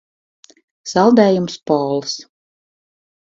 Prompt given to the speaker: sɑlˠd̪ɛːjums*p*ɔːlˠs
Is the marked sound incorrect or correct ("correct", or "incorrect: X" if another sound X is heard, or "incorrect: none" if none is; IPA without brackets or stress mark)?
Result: correct